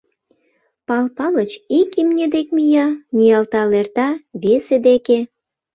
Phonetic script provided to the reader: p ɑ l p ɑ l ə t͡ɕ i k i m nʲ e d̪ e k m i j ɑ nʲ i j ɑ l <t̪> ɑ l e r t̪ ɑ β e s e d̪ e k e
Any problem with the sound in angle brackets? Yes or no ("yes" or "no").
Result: no